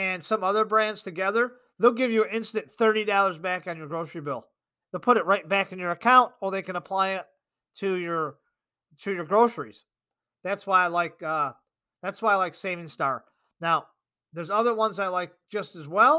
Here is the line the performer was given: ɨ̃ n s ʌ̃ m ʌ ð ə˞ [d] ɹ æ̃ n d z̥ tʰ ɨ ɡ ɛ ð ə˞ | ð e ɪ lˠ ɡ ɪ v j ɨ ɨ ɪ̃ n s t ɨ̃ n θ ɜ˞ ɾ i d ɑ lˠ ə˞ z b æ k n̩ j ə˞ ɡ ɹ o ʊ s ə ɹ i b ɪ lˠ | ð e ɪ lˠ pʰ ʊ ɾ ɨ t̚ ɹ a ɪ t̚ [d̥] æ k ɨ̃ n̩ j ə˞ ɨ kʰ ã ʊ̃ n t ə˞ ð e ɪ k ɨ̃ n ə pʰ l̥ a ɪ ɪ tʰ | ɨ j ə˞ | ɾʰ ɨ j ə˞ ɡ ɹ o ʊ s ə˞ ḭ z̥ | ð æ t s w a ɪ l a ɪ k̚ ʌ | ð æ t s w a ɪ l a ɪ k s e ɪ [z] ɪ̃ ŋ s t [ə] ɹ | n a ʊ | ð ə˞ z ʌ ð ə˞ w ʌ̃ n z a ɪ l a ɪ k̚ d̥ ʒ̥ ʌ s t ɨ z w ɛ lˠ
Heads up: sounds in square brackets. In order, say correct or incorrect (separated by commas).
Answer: incorrect, incorrect, incorrect, incorrect